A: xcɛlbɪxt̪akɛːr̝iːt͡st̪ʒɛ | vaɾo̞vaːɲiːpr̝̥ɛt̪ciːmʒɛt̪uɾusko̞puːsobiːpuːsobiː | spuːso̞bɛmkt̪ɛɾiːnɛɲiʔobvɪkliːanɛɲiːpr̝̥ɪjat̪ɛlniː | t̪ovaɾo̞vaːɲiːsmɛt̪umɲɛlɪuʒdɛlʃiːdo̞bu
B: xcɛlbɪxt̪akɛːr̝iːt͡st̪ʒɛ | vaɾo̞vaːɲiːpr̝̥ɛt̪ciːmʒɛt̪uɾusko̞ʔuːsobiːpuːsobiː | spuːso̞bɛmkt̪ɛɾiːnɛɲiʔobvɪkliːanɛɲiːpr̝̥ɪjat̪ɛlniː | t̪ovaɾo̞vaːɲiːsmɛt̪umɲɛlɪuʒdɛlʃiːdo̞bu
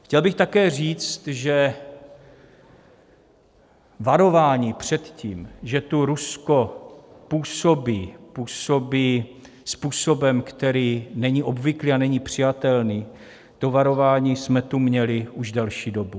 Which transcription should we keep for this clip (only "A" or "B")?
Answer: A